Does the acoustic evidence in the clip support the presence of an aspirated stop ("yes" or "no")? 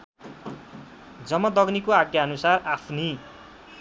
yes